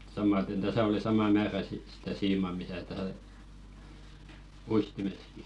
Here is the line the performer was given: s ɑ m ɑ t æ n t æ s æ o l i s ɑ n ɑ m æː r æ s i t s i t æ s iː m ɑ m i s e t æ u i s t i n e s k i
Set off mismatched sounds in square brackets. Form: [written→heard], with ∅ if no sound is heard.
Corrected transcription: s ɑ m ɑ t [æ→e] n t æ s æ o l i s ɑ [n→m] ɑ m æː r æ s i t s i t æ s iː m ɑ m i s [e→æ] t æ u i s t i [n→m] e s k i